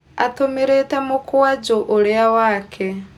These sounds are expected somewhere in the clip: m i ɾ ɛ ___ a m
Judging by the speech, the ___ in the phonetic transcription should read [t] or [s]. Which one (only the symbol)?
t